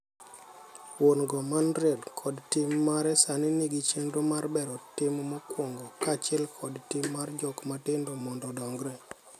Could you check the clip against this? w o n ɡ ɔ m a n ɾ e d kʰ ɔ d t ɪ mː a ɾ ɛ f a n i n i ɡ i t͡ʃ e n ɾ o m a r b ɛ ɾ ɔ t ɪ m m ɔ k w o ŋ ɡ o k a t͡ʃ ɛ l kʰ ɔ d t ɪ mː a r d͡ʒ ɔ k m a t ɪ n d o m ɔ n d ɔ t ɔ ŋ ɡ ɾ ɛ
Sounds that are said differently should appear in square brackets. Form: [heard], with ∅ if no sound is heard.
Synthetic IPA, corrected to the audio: w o n ɡ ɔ m a n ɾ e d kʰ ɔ d t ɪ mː a ɾ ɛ [s] a n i n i ɡ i t͡ʃ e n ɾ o m a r b ɛ ɾ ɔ t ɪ m m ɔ k w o ŋ ɡ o k a t͡ʃ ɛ l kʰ ɔ d t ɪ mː a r d͡ʒ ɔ k m a t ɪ n d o m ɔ n d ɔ [d] ɔ ŋ ɡ ɾ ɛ